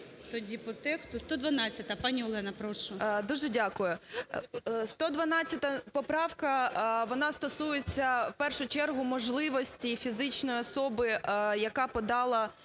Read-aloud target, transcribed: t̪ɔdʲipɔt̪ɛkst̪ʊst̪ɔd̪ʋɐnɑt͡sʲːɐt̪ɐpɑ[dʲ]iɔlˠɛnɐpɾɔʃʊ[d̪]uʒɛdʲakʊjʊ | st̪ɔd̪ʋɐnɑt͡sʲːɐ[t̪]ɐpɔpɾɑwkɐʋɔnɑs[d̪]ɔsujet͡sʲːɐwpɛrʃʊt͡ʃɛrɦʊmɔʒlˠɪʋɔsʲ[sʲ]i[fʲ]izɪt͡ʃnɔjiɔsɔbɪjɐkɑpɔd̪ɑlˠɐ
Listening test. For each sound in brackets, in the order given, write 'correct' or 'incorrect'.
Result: incorrect: nʲ, correct, correct, incorrect: t̪, incorrect: tʲ, correct

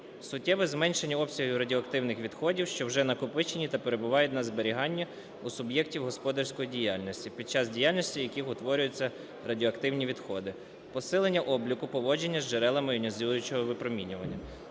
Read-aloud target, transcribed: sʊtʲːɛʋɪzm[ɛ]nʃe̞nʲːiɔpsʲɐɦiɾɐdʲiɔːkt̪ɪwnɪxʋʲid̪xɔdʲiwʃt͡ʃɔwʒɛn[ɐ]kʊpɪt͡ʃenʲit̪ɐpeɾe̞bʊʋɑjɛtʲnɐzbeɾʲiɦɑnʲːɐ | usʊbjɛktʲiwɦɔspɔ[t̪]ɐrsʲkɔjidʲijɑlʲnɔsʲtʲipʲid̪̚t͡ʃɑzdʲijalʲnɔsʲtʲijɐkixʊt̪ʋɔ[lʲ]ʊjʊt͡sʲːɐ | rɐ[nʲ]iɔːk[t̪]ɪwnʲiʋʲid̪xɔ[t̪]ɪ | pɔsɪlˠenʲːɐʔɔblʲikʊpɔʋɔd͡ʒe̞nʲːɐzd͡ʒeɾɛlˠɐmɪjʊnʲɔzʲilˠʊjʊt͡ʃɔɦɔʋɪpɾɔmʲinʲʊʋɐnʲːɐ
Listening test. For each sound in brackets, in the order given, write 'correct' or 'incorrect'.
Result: correct, correct, incorrect: d̪, incorrect: ɾʲ, incorrect: dʲ, correct, incorrect: d̪

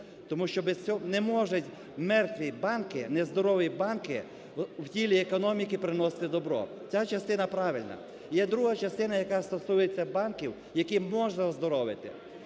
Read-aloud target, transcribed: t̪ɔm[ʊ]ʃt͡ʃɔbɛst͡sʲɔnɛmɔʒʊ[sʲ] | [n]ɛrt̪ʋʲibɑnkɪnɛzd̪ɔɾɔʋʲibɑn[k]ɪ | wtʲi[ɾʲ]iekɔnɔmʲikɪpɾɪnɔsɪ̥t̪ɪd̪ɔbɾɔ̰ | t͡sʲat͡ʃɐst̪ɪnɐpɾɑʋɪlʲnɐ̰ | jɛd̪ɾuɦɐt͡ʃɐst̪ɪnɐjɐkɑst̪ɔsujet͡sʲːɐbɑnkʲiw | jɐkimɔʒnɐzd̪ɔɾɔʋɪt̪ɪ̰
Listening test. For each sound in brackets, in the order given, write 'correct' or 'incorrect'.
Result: incorrect: u, incorrect: tʲ, incorrect: m, correct, incorrect: lʲ

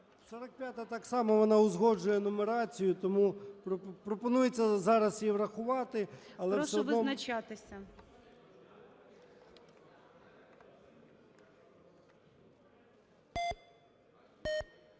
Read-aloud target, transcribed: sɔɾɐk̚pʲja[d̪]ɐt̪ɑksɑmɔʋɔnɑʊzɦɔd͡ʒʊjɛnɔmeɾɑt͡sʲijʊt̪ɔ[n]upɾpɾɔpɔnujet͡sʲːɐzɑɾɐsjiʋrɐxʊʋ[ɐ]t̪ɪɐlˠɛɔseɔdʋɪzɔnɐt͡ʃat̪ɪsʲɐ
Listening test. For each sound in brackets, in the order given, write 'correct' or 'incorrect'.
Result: incorrect: t̪, incorrect: m, incorrect: ɑ

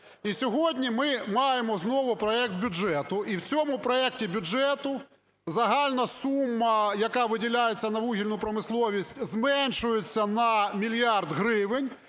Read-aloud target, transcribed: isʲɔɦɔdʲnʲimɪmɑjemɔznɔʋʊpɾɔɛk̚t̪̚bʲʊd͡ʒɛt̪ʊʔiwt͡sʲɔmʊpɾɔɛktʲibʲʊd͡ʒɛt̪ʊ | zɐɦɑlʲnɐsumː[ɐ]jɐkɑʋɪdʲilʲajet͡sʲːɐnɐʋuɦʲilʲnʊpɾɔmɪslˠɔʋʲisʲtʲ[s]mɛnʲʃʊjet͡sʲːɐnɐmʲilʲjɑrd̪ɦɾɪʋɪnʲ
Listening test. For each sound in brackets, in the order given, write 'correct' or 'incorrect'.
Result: correct, incorrect: z

